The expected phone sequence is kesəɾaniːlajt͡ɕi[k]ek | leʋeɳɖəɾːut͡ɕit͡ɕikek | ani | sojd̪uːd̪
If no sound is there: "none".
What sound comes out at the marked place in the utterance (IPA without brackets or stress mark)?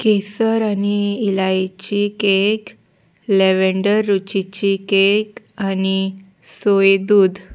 k